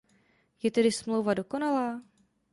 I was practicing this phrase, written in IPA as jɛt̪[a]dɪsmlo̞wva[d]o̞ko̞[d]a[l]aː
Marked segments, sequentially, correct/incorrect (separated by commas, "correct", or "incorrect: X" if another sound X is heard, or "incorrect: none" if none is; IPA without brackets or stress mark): incorrect: ɛ, correct, incorrect: n, correct